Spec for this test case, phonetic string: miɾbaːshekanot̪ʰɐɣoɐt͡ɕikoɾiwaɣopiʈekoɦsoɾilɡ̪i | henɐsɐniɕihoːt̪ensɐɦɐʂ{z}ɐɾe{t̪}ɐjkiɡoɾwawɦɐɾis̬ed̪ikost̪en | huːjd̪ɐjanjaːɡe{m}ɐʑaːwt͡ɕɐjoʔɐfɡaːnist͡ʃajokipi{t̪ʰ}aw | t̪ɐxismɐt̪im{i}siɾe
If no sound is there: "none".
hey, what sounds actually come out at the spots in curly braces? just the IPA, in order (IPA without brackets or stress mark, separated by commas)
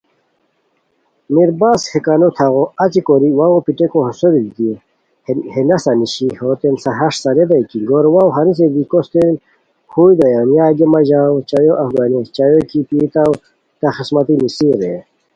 s, d̪, m, t̪, i